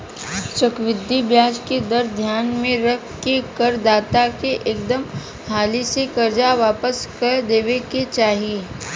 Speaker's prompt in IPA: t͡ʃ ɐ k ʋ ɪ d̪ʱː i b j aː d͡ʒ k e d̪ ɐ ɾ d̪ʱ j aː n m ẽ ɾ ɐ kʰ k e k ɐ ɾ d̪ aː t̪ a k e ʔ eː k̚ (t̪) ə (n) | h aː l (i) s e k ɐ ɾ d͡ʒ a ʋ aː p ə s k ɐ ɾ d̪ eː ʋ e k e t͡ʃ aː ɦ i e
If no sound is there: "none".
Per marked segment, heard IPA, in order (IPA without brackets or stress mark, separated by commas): d̪, m, i